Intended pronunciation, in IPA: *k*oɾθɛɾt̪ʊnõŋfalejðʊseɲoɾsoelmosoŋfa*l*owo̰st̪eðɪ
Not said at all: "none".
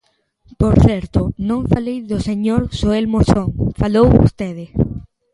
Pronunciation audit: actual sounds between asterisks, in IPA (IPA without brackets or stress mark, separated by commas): p, l